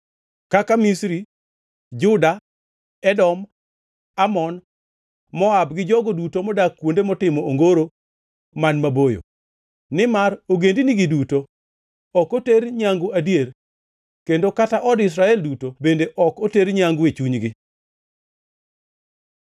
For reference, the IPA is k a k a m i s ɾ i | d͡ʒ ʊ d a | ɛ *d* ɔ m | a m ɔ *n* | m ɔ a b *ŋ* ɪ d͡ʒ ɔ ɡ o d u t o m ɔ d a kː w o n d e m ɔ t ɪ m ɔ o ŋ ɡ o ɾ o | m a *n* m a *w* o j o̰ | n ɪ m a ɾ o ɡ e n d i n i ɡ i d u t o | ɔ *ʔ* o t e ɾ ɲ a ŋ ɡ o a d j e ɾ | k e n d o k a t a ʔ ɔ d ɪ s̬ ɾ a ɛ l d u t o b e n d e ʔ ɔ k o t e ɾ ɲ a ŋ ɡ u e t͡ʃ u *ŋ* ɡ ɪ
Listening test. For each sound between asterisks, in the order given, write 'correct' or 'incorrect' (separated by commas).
correct, correct, incorrect, correct, incorrect, incorrect, incorrect